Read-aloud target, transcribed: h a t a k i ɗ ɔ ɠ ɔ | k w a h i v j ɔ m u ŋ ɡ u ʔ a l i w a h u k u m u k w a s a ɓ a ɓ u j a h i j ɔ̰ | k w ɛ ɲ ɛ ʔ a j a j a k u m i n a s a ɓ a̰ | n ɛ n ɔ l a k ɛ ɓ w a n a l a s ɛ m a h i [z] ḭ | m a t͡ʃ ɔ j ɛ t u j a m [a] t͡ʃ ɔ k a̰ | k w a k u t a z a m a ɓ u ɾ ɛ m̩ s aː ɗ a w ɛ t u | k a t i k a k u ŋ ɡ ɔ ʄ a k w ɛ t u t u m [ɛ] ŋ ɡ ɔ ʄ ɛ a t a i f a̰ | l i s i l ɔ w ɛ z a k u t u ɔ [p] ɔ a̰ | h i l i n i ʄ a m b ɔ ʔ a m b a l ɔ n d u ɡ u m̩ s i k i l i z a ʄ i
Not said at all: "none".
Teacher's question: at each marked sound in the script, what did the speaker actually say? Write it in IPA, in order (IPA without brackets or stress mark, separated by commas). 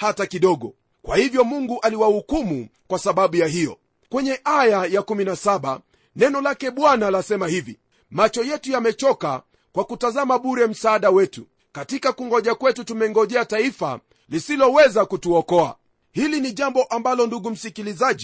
v, ɛ, ɛ, k